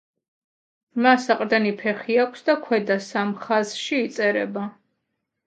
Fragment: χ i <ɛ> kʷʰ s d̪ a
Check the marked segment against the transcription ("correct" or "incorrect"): incorrect